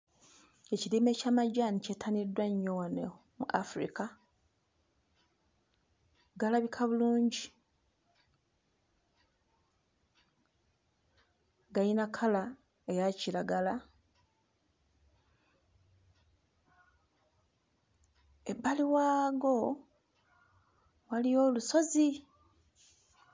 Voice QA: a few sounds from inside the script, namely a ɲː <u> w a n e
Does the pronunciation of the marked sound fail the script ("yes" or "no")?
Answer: yes